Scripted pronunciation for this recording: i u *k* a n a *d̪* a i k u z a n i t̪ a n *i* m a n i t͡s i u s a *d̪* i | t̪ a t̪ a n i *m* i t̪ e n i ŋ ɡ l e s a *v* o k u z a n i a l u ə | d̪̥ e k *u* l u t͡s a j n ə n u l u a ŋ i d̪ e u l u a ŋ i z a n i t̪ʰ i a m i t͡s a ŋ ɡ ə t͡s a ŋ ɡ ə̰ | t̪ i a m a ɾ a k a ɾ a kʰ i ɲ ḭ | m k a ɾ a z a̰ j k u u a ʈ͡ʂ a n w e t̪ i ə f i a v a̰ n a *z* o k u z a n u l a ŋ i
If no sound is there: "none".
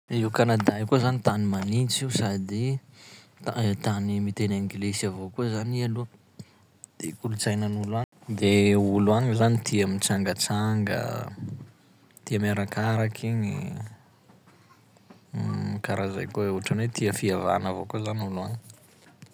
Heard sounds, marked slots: k, d̪, i, d̪, m, v, u, v

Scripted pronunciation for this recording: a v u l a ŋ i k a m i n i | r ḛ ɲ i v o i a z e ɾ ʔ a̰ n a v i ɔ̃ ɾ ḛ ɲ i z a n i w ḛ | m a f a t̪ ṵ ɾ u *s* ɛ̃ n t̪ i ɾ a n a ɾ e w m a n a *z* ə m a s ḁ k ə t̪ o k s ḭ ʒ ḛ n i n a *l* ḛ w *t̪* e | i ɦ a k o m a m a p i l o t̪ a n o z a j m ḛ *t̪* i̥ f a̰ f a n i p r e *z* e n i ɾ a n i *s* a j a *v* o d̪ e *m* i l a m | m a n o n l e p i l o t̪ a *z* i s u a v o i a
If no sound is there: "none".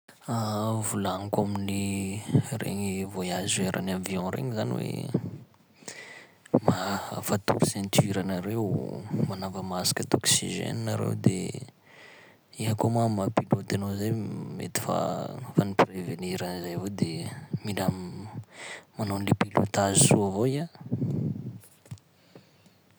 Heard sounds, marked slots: s, v, ɾ, d̪, t̪, v, z, v, m, z

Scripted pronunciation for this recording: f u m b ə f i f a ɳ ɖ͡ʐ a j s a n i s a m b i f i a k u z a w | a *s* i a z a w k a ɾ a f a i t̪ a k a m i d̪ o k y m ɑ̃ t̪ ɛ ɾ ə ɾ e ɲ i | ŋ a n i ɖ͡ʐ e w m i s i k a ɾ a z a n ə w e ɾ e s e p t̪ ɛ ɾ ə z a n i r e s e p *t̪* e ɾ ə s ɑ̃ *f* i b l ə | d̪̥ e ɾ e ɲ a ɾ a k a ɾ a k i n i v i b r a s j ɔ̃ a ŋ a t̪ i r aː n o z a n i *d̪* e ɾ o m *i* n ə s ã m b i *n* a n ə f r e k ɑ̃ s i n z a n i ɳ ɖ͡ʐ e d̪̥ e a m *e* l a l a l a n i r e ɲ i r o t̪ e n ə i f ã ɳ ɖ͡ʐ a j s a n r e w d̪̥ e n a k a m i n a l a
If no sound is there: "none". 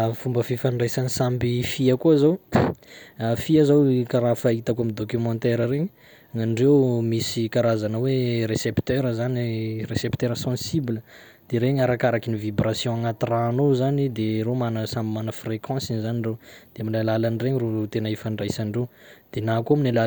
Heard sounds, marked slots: f, t̪, s, d̪, a, m, i

